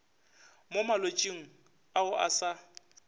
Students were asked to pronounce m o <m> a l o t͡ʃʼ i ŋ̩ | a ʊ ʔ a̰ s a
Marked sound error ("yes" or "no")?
no